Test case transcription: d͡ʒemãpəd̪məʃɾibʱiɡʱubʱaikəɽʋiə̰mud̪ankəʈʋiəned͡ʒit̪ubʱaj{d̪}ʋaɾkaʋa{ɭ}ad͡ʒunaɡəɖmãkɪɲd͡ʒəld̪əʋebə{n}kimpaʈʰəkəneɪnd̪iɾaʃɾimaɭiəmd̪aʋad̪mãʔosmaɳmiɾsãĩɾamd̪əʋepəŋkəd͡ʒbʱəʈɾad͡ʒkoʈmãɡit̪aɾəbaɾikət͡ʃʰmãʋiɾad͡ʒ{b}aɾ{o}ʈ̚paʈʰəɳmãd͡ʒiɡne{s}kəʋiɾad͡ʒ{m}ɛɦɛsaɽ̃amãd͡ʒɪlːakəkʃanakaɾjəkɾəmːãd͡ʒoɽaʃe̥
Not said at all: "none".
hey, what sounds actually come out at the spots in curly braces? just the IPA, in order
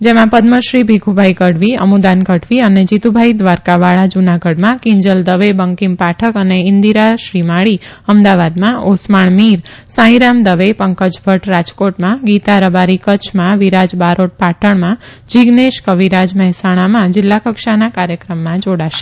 d̪, ɭ, ŋ, b, o, ʃ, m

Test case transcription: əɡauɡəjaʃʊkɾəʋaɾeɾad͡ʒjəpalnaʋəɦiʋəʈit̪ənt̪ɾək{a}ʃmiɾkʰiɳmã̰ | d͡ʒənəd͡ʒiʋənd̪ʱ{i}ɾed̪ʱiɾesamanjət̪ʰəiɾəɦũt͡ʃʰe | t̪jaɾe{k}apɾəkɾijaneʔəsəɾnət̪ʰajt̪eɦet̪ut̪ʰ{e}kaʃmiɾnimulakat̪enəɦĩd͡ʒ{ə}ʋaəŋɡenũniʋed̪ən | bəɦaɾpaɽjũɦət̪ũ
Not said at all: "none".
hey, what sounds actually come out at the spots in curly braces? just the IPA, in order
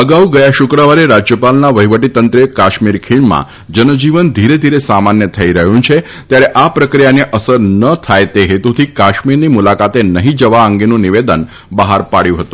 a, i, ʔ, i, ə

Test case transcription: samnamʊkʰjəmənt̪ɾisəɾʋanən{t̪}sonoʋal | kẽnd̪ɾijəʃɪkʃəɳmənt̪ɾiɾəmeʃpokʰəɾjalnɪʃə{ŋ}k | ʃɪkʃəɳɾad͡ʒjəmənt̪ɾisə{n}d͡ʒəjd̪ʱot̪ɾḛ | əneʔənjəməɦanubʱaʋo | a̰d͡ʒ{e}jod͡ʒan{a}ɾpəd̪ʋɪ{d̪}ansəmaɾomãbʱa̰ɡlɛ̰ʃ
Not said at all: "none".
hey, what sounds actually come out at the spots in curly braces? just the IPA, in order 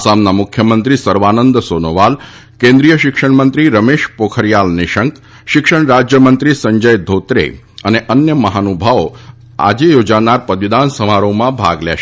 d̪, ŋ, ɲ, e, a, d̪

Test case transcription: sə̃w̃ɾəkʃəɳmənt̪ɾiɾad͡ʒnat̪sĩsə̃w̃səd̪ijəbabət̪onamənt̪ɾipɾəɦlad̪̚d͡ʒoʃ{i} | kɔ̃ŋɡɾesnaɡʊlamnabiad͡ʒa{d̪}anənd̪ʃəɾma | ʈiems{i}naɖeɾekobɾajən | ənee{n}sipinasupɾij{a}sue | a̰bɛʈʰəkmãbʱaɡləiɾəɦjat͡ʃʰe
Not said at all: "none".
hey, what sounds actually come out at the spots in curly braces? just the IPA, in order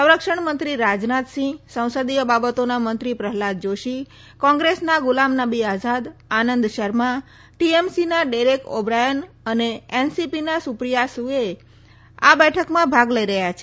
i, d̪, i, n, a

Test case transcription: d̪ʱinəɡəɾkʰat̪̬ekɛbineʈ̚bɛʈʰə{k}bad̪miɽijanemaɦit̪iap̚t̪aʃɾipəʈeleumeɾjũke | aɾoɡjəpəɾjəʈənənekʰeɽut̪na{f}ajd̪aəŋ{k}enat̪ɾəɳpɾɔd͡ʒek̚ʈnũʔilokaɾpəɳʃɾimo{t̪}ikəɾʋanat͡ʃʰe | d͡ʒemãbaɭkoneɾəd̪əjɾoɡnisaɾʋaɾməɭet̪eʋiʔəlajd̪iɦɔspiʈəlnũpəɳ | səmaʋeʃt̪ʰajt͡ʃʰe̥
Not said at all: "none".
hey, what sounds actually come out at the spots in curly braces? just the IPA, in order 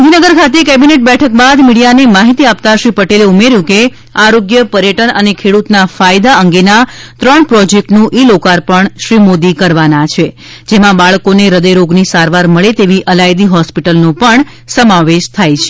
k, f, ɡ, d̪

